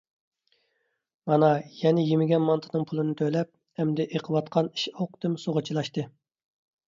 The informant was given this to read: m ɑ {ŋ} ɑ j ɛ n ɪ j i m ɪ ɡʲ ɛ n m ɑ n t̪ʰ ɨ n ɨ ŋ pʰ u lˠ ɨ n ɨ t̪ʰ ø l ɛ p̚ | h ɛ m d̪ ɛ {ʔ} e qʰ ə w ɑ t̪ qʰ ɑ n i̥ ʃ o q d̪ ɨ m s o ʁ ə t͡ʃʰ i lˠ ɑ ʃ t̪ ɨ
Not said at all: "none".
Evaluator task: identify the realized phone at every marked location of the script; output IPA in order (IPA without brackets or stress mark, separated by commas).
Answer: n, ʔ